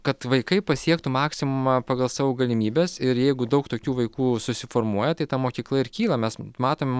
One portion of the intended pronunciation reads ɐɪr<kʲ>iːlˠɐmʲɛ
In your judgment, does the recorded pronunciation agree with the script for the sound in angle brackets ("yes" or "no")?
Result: yes